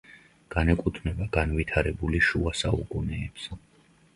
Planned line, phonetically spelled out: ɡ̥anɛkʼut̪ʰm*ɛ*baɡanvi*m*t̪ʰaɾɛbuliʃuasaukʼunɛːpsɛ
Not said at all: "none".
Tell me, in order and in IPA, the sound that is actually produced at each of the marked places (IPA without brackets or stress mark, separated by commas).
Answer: ɛ, none